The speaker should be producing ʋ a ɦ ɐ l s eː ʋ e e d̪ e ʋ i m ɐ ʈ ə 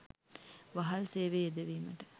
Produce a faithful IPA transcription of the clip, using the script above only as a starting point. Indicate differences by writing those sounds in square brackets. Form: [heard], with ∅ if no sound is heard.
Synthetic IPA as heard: ʋ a ɦ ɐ l s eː ʋ e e d̪ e ʋ [iː] m [ə] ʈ ə